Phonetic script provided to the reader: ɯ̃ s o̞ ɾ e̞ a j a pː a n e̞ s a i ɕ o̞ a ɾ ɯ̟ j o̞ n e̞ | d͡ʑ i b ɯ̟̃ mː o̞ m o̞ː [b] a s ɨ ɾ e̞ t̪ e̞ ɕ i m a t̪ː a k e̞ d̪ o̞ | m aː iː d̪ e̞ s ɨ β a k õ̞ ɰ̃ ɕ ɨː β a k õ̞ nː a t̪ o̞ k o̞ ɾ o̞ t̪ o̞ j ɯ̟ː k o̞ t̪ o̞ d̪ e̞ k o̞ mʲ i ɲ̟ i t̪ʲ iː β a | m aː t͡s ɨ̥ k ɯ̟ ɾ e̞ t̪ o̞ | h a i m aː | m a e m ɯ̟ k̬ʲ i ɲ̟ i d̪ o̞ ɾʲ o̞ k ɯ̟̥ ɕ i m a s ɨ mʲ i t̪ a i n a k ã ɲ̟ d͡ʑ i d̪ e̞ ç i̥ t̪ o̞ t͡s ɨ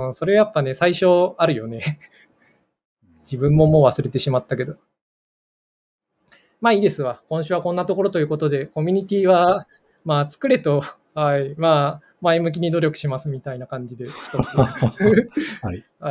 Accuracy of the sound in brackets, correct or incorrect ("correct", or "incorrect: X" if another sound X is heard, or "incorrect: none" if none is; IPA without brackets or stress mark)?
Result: incorrect: β